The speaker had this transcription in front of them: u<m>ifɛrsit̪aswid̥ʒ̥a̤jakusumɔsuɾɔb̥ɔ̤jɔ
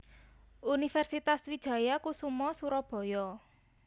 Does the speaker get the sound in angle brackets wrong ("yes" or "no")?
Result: yes